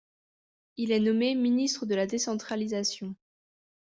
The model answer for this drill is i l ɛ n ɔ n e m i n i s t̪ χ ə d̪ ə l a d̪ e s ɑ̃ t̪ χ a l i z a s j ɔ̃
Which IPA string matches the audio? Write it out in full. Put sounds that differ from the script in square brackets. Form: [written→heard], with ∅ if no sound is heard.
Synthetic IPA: i l ɛ n ɔ [n→m] e m i n i s t̪ χ ə d̪ ə l a d̪ e s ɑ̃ t̪ χ a l i z a s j ɔ̃